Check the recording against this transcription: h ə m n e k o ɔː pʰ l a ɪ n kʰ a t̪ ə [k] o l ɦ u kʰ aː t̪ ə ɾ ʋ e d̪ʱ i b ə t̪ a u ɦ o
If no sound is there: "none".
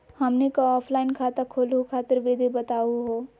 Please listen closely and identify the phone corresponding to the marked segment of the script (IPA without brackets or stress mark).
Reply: kʰ